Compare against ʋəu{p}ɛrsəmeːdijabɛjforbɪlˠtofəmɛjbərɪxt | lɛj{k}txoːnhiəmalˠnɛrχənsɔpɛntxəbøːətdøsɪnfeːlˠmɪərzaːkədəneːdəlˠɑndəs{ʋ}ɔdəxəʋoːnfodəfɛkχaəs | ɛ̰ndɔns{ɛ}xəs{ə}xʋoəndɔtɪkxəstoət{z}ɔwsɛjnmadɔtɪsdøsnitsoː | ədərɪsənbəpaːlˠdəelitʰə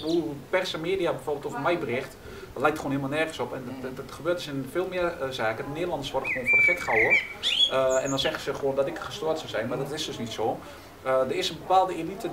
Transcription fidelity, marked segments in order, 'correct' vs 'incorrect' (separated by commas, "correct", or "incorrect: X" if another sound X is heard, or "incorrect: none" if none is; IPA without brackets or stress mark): correct, correct, correct, correct, correct, incorrect: s